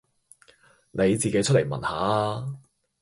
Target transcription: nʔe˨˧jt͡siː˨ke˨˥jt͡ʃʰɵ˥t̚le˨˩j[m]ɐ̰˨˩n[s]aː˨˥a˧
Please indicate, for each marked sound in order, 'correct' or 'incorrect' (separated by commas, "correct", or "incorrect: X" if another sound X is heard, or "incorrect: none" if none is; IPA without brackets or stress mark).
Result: correct, incorrect: h